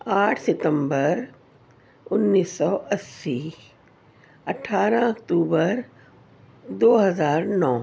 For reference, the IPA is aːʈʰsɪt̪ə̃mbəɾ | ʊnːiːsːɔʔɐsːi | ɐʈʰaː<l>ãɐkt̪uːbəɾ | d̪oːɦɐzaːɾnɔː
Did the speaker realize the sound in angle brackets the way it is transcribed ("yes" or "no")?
no